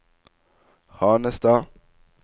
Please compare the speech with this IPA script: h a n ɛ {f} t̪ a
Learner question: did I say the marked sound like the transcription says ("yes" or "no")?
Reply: no